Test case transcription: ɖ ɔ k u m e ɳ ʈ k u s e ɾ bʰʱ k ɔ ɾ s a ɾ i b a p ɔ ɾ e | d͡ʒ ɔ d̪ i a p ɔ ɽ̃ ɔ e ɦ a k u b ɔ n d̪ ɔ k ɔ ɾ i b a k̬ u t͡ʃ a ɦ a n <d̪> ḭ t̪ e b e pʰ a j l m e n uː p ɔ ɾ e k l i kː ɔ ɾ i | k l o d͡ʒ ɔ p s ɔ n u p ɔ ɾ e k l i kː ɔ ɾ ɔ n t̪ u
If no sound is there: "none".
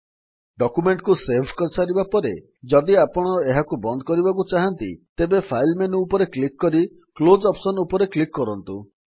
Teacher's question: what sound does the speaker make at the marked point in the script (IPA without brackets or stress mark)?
t̪